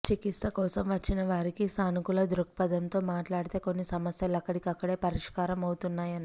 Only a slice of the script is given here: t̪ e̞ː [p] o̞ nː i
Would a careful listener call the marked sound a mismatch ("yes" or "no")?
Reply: yes